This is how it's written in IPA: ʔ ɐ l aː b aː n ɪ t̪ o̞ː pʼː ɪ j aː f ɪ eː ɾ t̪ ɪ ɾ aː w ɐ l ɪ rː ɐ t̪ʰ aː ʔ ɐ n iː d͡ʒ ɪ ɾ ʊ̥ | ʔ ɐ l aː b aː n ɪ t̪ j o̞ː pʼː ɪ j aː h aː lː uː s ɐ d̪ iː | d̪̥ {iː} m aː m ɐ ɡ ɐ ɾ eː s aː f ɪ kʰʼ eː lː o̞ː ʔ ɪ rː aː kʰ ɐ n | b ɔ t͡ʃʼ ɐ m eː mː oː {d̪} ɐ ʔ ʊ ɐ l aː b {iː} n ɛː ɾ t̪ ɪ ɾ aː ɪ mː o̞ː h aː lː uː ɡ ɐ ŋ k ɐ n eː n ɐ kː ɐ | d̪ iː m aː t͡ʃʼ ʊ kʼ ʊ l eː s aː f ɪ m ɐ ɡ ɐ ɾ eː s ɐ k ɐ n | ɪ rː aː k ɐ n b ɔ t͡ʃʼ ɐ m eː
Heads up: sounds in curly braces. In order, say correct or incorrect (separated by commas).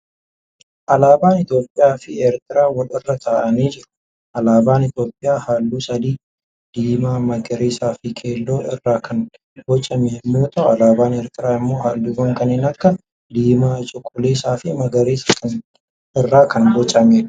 correct, incorrect, incorrect